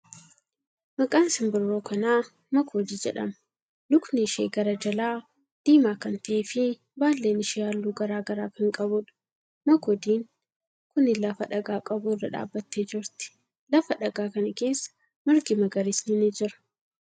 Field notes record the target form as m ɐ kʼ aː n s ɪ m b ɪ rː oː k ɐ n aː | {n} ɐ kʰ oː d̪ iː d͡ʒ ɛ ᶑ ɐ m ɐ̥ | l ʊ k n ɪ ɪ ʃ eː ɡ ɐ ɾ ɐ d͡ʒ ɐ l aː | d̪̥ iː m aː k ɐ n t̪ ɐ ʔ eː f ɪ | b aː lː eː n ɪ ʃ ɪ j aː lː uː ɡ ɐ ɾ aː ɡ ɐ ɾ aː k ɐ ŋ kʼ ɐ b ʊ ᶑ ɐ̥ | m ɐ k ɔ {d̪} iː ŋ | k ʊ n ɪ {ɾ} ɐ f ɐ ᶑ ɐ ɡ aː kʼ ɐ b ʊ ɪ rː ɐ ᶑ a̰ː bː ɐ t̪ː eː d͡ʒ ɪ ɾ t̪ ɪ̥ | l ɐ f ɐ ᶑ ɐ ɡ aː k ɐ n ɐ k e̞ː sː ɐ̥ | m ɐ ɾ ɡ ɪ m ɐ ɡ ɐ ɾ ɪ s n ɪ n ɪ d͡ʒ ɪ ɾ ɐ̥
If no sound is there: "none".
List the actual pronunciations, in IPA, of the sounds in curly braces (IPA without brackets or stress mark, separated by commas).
m, d̪, l